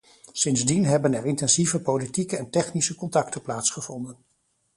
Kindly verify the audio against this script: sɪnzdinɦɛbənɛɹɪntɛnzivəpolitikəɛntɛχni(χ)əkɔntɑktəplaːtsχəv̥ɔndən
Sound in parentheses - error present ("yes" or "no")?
yes